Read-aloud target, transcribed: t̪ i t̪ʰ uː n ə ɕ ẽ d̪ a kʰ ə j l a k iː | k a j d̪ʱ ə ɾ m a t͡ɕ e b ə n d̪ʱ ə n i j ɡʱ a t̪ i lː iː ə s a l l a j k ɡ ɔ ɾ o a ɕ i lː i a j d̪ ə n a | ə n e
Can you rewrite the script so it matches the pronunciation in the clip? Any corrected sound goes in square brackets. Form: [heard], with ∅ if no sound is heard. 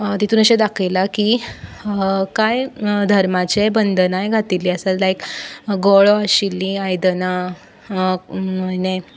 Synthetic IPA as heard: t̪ i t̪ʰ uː n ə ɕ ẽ d̪ a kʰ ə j l a k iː | k a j d̪ʱ ə ɾ m a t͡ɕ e b ə n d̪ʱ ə n [a] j ɡʱ a t̪ i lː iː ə s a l l a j k ɡ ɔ [ɭ] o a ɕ i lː i a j d̪ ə n a | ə n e